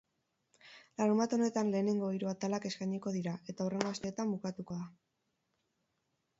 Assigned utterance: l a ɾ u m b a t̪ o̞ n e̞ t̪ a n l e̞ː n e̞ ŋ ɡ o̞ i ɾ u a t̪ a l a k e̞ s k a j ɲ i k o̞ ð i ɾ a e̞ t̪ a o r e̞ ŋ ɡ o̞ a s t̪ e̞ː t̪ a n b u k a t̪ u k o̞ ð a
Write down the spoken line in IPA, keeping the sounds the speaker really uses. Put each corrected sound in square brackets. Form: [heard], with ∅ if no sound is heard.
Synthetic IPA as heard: l a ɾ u m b a t̪ o̞ n e̞ t̪ a n l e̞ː n e̞ ŋ ɡ o̞ i ɾ u a t̪ a l a k e̞ s k a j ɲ i k o̞ ð i ɾ a e̞ t̪ a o r e̞ ŋ ɡ o̞ a s t̪ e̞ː t̪ a [m] b u k a t̪ u k o̞ ð a